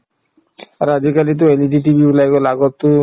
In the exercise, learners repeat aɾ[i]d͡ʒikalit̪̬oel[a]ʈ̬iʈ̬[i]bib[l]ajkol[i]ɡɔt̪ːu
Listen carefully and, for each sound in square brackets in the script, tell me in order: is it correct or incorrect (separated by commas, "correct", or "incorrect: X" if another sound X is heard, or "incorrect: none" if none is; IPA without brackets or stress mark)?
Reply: incorrect: a, incorrect: i, correct, correct, incorrect: a